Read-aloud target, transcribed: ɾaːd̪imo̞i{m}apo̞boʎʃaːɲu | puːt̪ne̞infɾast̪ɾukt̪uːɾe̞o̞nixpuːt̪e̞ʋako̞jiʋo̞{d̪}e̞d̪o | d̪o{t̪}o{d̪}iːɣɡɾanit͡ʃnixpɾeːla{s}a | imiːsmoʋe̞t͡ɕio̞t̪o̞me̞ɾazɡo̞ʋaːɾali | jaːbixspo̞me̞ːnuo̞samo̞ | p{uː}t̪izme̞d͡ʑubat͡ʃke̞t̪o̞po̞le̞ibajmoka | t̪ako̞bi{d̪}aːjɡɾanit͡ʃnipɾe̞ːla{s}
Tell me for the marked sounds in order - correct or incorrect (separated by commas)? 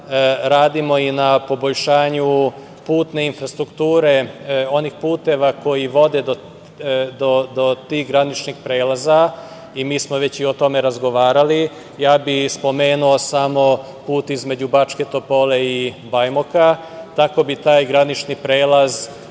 incorrect, correct, incorrect, incorrect, incorrect, correct, incorrect, incorrect